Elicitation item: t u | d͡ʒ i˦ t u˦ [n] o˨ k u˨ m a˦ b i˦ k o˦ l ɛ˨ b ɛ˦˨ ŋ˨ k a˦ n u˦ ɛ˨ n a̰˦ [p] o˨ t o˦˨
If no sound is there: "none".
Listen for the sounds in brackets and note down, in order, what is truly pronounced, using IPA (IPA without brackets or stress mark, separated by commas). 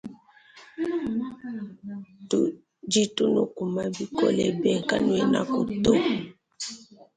n, k